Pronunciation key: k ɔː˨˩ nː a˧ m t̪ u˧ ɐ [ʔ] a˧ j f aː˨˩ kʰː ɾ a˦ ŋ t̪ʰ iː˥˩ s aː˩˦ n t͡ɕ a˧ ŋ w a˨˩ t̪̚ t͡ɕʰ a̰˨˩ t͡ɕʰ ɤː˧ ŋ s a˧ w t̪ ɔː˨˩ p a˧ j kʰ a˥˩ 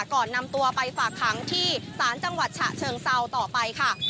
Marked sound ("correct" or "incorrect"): incorrect